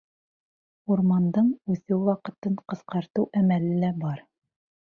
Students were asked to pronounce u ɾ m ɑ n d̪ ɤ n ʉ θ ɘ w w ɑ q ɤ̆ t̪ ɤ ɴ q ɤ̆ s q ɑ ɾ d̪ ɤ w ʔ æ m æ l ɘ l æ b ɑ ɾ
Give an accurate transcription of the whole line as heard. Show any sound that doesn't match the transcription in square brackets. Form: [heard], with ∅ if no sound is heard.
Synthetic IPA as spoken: u ɾ m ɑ n d̪ ɤ [ɴ] ʉ θ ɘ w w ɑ q ɤ̆ t̪ ɤ ɴ q ɤ̆ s q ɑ ɾ [t̪] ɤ w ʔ æ m æ l ɘ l æ b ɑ ɾ